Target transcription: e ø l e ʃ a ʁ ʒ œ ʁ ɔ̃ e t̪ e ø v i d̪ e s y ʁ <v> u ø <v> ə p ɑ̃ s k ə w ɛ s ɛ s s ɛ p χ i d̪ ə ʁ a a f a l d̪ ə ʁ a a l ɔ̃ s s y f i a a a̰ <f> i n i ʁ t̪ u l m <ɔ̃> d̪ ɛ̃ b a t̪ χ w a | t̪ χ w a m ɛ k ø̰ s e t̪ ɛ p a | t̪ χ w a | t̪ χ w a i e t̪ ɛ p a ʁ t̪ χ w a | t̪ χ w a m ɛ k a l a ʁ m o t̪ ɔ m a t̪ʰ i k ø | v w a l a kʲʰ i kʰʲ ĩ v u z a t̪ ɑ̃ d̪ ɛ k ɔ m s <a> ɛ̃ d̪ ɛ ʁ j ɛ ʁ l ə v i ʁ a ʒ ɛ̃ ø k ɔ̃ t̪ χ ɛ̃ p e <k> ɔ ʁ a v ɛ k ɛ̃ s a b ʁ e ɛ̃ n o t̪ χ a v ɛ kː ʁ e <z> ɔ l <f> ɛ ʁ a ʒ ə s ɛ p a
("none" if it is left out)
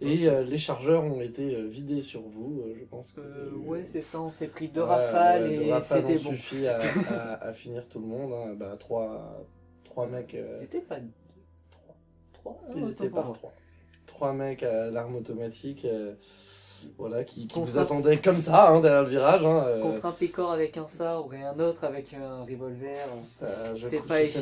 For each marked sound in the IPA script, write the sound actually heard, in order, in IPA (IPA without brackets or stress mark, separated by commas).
v, ʒ, f, ɔ̃, a, k, v, v